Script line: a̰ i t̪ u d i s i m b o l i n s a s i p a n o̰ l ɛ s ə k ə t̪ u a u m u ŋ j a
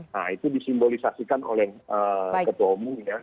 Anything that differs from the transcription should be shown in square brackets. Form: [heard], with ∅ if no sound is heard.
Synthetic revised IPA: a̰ i t̪ u d i s i m b o l i [∅] s a s i [k] a n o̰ l ɛ [h] ə k ə t̪ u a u m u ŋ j a